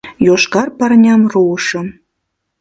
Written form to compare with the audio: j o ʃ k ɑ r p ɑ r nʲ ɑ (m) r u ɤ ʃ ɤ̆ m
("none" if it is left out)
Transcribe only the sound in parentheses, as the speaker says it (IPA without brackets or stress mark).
m